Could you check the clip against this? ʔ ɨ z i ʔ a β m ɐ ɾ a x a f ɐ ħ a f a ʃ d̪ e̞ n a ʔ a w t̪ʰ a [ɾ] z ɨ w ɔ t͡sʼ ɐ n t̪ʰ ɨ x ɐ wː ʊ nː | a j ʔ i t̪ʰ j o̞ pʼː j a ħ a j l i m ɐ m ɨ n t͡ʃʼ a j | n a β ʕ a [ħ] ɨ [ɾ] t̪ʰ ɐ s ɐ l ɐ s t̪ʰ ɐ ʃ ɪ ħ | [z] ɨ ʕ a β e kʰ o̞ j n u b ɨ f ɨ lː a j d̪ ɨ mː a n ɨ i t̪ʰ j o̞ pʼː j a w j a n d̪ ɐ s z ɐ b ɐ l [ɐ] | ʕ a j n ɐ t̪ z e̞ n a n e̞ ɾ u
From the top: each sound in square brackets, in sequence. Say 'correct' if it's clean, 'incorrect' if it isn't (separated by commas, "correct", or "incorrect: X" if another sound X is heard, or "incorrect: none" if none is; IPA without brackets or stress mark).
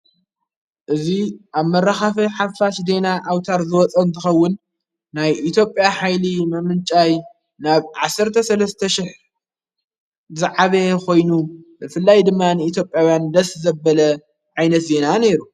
correct, incorrect: s, correct, correct, correct